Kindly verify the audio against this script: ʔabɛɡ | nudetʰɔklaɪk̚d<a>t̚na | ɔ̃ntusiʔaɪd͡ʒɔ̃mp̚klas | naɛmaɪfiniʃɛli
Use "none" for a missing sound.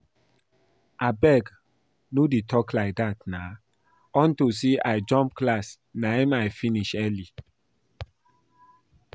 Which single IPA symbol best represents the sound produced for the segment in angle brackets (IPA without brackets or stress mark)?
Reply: a